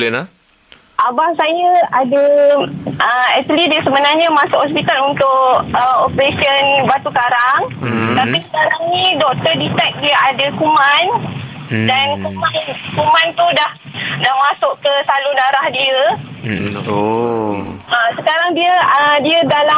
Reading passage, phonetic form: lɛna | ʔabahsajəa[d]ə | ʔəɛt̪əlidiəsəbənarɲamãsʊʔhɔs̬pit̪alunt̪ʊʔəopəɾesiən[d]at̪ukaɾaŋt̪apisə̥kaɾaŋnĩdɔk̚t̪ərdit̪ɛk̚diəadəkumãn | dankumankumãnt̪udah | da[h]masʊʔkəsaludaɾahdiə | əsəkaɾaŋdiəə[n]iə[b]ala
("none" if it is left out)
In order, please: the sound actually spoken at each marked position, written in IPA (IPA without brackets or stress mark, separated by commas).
d, b, h, d, d